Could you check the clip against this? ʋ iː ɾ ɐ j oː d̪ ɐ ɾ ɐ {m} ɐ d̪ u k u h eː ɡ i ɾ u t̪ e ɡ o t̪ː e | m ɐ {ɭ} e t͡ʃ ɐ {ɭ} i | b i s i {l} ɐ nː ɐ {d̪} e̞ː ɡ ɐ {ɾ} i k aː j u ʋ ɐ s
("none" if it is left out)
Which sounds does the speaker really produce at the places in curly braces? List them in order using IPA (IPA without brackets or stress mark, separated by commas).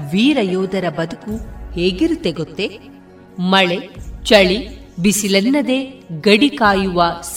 b, ɭ, ɭ, l, d̪, ɽ